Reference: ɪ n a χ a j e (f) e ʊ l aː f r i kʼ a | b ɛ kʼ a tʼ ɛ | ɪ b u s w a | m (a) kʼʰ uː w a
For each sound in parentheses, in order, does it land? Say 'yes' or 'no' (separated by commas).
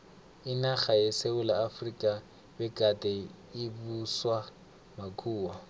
no, yes